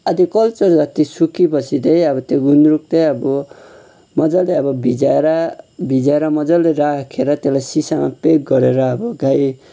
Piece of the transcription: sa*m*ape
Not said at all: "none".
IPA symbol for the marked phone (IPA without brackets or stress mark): m